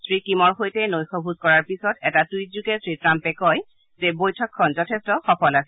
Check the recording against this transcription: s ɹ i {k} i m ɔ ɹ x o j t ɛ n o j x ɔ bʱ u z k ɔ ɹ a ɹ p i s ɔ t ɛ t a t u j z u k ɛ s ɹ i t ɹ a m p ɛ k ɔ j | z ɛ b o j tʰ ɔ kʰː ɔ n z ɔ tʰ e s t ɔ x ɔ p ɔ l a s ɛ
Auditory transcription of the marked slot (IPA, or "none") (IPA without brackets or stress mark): k